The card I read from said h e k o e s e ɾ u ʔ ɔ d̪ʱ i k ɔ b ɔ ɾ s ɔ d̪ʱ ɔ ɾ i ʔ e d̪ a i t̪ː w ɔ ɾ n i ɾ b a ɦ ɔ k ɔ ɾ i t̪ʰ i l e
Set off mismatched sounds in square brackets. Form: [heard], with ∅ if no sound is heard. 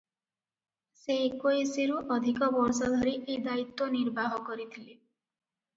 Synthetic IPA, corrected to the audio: [s] e k o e s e ɾ u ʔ ɔ d̪ʱ i k ɔ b ɔ ɾ s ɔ d̪ʱ ɔ ɾ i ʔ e d̪ a i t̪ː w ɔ [∅] n i ɾ b a ɦ ɔ k ɔ ɾ i t̪ʰ i l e